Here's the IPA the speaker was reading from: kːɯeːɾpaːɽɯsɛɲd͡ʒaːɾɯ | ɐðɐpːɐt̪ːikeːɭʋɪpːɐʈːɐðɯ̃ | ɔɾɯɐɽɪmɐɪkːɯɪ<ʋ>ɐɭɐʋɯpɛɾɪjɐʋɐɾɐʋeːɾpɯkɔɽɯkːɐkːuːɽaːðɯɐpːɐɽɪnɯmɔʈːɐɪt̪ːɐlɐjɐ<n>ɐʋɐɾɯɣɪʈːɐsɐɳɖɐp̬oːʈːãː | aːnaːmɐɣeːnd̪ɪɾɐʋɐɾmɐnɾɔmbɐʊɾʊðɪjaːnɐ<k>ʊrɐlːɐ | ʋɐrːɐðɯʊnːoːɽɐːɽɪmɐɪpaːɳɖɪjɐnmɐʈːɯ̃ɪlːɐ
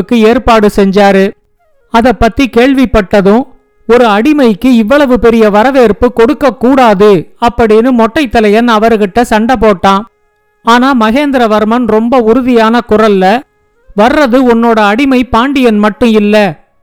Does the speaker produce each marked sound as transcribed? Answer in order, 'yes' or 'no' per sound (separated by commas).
no, yes, yes